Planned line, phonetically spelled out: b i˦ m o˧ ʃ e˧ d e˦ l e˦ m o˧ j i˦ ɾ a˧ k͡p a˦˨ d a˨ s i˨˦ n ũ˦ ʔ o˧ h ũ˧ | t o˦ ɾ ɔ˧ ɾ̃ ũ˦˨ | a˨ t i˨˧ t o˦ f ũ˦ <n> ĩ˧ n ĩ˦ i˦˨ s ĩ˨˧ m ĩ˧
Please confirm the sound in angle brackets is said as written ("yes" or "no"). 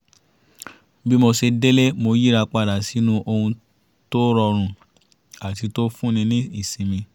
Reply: yes